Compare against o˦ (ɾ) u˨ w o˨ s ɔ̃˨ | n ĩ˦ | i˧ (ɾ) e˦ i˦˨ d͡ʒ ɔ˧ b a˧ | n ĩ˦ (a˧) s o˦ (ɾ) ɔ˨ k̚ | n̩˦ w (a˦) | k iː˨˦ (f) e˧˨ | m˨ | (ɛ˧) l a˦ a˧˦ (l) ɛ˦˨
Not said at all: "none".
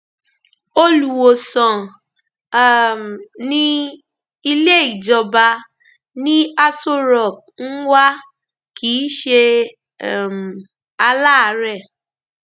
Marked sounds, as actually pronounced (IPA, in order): l, l, a˧, ɾ, a˦, ʃ, a˧, ɾ

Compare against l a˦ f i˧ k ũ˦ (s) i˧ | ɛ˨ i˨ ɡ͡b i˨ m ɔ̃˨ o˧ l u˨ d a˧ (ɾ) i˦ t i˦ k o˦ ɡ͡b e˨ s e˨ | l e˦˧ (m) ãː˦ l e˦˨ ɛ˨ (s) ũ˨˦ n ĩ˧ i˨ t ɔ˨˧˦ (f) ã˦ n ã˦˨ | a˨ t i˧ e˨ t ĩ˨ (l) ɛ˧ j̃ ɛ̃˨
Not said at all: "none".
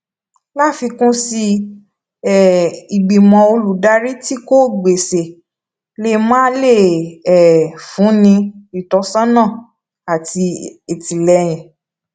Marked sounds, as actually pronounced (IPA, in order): s, ɾ, m, f, s, l

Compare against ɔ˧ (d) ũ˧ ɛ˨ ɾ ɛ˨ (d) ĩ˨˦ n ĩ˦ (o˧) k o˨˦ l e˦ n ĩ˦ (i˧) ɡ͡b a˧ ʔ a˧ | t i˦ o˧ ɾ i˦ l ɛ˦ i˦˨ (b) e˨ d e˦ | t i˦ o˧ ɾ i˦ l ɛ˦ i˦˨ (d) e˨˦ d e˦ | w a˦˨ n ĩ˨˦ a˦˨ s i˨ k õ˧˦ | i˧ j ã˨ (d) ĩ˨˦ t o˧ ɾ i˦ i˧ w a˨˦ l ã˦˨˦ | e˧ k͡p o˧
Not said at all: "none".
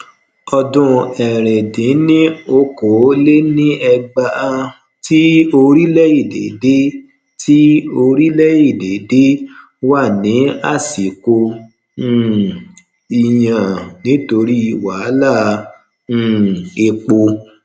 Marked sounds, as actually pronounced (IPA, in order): d, d, o˧, ɛ˧, d, d, n

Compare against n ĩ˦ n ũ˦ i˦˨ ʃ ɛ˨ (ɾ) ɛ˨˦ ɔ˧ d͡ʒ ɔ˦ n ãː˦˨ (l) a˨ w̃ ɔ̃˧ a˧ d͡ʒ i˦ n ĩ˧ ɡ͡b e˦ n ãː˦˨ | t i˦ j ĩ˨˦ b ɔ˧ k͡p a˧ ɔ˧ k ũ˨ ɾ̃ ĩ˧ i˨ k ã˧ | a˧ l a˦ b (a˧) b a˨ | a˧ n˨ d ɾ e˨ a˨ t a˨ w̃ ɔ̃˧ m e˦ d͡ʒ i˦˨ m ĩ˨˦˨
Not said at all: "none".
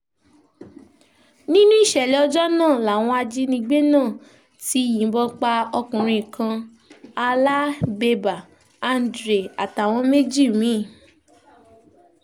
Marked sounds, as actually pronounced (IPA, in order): l, l, e˧

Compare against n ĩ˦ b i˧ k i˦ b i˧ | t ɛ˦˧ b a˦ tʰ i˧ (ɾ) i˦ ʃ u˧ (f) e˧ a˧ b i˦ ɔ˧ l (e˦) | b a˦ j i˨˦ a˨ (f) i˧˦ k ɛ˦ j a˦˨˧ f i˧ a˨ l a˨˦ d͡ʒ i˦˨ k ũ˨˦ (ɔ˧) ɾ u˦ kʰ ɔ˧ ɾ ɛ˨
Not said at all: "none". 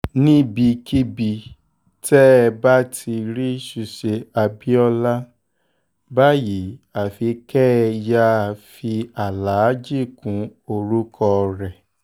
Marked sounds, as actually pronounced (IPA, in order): ɾ, ʃ, a˦, f, o˧

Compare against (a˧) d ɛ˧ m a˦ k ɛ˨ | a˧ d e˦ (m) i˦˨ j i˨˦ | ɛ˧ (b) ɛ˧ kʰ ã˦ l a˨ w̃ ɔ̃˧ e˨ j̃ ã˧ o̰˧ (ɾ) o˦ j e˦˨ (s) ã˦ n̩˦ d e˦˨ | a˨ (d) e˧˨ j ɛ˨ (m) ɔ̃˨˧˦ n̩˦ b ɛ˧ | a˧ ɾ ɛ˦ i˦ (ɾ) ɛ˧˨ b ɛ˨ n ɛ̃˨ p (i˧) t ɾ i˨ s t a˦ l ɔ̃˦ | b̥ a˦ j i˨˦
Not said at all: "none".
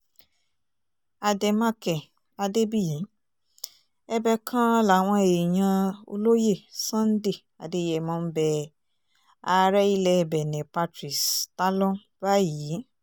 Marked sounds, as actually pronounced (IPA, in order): a˧, b, b, l, s, d, m, l, a˧

